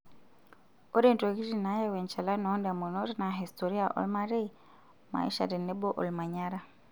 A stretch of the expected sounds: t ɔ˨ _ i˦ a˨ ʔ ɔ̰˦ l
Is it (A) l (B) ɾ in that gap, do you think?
B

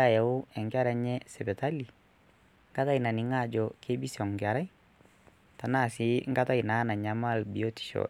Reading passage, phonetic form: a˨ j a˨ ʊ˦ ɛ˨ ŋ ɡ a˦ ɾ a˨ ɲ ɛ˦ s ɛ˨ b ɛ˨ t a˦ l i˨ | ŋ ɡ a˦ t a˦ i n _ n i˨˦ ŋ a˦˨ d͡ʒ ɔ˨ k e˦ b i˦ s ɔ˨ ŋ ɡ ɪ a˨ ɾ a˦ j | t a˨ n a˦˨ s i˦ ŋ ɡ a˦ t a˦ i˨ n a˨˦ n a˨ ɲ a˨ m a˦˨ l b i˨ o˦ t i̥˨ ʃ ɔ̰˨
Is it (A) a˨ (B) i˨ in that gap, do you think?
A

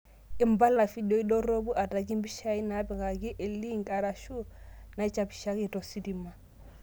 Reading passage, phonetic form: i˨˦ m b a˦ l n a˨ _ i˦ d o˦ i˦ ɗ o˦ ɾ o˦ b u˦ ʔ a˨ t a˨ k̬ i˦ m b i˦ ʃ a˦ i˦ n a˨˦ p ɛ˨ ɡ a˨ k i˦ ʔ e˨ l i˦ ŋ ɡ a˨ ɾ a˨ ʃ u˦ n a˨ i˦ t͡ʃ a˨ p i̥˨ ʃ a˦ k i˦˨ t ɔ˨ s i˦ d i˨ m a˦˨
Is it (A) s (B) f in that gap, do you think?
B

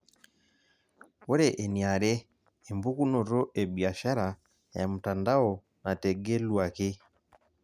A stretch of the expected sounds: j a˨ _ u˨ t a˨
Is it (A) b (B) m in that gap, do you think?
B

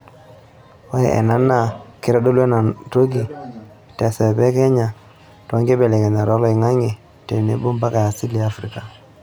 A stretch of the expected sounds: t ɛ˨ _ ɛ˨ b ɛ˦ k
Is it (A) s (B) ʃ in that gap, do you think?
A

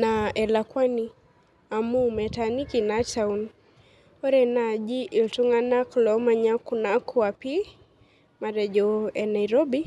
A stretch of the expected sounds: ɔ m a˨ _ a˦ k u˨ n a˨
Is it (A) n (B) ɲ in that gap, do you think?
B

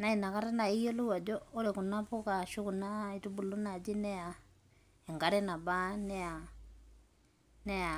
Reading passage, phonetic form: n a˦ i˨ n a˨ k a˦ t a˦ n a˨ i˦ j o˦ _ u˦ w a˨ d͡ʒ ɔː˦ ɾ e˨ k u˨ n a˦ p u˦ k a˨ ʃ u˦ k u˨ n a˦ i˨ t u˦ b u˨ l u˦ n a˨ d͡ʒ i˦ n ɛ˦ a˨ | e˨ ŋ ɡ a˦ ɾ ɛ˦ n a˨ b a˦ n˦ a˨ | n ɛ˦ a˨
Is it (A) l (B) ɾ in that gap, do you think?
A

